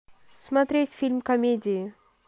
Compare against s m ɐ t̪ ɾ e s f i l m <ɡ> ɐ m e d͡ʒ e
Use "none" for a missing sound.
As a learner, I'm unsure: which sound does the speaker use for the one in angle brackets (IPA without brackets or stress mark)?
k